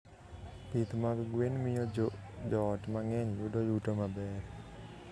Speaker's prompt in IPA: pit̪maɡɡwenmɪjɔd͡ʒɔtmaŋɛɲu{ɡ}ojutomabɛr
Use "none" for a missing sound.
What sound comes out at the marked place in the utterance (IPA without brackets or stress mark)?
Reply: d